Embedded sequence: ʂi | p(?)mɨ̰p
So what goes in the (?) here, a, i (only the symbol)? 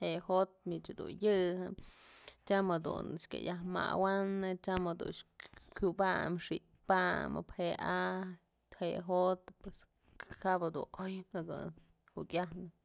a